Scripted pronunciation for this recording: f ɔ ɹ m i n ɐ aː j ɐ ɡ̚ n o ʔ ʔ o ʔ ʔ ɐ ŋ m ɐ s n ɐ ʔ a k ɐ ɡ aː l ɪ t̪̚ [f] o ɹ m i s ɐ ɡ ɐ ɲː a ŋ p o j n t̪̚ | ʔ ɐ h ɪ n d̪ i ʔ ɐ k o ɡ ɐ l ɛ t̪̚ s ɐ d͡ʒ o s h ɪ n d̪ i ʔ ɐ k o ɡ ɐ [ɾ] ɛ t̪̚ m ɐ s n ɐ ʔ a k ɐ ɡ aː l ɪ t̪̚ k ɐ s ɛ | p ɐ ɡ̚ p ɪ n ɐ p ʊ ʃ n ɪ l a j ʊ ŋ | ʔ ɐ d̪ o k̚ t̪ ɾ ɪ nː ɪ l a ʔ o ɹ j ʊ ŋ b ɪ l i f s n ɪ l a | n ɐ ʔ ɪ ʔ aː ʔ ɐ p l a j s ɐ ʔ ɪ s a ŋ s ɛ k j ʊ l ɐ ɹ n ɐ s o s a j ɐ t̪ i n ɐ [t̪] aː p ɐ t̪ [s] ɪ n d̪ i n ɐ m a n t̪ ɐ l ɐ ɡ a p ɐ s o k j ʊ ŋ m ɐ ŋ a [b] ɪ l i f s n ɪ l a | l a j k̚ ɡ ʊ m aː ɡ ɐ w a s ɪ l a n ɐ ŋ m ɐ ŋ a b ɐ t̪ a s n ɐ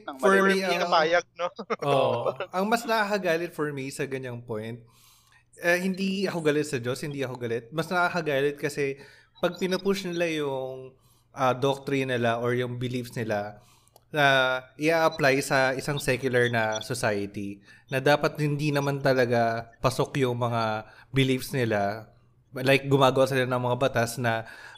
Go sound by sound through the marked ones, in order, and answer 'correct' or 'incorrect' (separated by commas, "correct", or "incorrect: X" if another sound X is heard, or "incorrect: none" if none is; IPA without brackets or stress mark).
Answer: correct, incorrect: l, incorrect: d̪, incorrect: h, correct